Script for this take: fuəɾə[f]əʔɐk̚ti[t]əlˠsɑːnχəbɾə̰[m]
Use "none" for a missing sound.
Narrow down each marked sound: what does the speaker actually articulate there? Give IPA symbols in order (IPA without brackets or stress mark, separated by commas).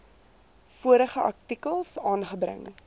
χ, k, ŋ